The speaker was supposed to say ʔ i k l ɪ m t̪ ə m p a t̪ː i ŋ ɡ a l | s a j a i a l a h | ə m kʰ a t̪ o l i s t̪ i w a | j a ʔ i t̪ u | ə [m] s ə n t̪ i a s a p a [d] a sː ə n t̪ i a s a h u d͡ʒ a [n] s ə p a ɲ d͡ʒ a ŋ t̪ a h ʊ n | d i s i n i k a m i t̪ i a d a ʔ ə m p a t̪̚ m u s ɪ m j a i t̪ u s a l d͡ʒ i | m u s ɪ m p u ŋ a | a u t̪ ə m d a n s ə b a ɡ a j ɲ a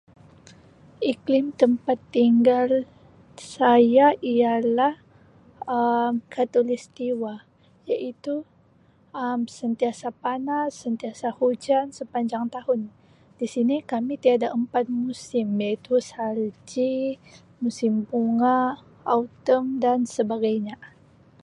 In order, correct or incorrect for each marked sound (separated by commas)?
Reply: correct, incorrect, correct